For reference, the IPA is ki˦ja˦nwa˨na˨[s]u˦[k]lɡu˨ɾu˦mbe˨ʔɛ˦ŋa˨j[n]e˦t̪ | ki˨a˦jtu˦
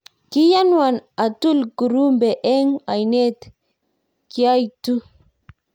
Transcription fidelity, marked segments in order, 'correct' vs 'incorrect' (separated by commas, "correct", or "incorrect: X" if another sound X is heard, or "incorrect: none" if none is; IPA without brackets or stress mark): incorrect: t, incorrect: none, correct